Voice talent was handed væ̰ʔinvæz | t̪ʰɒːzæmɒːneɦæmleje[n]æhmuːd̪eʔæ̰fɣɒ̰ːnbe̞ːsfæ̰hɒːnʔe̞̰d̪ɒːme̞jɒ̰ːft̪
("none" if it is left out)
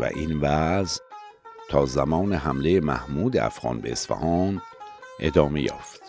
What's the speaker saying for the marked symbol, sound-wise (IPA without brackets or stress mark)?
m